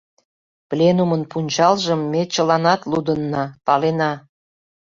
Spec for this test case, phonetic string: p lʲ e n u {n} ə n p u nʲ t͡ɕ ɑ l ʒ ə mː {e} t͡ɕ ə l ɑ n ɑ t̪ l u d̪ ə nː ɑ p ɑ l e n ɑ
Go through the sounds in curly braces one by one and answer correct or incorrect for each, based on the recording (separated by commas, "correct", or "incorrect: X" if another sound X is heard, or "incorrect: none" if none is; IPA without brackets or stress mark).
incorrect: m, correct